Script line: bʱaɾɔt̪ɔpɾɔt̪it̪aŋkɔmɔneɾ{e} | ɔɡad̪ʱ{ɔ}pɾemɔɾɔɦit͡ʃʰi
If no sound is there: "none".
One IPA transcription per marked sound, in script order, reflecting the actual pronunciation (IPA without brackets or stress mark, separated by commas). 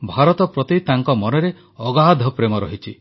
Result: e, ɔ